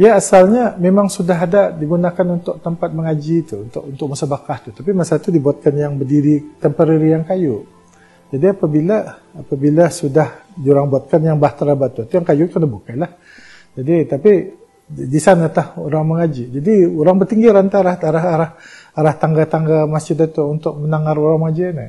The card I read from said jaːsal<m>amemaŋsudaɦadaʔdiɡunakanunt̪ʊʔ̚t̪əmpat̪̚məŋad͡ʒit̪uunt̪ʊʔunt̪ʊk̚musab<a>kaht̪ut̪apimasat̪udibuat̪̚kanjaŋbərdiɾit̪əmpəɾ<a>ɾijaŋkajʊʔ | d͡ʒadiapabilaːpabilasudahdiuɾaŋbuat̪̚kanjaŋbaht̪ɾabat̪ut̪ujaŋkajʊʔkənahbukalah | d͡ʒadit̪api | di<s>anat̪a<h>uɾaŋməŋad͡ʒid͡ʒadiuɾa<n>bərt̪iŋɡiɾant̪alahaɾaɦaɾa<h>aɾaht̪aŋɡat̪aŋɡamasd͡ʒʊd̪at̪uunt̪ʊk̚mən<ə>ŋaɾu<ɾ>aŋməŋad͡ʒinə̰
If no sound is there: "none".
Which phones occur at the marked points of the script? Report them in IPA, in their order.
ɲ, a, i, s, h, ŋ, h, a, ɾ

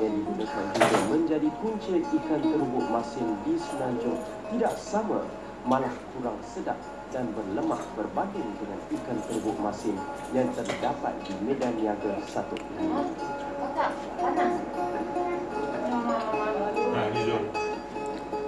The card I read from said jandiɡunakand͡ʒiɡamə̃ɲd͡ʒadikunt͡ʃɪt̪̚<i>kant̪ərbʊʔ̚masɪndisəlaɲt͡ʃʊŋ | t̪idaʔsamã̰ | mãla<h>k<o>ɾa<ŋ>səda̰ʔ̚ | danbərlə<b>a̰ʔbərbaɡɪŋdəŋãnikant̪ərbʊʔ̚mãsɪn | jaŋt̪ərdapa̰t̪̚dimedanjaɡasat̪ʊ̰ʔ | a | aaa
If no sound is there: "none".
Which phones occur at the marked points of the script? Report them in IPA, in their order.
i, h, u, ŋ, m

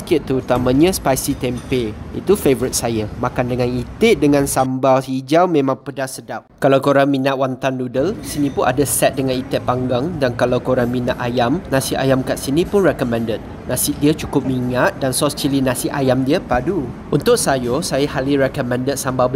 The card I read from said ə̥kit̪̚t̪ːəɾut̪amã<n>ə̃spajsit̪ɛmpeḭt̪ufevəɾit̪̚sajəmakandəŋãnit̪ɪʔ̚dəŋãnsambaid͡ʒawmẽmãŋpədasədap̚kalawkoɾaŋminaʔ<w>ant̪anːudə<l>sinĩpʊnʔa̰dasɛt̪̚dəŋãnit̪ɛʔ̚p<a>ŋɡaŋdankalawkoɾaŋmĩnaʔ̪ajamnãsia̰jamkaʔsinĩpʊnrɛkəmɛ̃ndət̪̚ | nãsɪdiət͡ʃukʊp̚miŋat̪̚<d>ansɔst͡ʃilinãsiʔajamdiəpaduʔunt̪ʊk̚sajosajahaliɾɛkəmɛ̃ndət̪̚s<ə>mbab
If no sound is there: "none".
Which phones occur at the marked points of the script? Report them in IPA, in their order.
ɲ, w, l, a, d, a

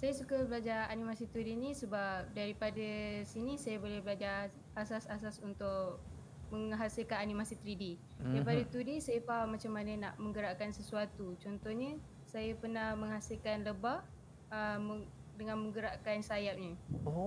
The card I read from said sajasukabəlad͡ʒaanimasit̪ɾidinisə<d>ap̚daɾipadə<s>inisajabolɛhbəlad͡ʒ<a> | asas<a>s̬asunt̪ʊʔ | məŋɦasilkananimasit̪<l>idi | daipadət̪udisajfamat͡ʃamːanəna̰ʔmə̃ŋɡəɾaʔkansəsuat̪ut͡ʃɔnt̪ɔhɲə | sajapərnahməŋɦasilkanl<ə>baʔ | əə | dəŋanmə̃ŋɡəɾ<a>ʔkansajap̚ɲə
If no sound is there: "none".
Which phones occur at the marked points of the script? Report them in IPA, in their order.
b, s, a, a, ɾ, ə, a

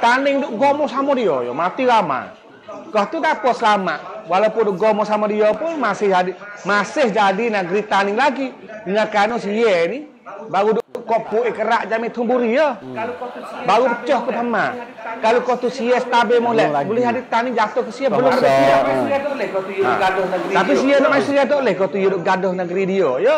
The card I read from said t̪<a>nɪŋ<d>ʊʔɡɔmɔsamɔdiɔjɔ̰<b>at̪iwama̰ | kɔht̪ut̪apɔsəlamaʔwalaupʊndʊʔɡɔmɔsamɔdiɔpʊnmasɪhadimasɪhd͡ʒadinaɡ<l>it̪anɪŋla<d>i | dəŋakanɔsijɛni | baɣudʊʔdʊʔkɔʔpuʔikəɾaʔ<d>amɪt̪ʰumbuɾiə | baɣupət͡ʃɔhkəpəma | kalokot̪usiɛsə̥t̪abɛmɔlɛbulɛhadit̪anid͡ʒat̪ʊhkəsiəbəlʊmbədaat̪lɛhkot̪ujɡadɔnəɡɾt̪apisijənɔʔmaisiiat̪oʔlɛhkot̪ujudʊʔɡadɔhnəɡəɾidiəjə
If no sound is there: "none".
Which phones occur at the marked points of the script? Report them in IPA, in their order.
a, d, m, ɾ, ɡ, d͡ʒ

